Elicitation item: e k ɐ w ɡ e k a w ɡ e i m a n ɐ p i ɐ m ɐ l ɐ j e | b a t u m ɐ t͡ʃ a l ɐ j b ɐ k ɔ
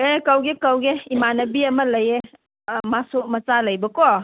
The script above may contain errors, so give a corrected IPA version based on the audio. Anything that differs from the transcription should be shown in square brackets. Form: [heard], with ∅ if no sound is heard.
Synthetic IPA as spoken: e k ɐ w ɡ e k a w ɡ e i m a n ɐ [b] i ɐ m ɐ l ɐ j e | [m] a [s] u m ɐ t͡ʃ a l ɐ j b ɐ k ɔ